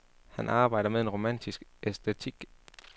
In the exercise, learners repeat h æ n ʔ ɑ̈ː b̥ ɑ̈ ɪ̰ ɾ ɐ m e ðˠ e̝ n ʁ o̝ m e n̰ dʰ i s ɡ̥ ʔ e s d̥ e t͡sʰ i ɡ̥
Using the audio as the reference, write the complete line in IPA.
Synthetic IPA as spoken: h æ n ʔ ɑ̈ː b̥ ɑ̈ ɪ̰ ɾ ɐ m e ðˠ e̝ n ʁ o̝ m æ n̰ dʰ i s ɡ̥ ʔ e s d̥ e t͡sʰ i ɡ̥